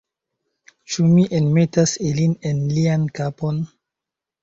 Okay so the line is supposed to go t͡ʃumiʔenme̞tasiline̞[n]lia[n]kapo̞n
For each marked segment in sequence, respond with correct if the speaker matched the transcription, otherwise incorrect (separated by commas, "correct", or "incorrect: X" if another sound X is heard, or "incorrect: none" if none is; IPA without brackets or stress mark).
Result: correct, correct